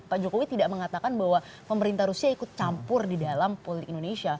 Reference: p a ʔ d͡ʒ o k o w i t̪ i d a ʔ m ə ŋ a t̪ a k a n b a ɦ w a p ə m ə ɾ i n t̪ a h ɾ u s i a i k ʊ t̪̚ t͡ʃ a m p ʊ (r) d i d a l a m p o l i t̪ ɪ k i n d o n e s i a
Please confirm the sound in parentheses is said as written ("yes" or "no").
yes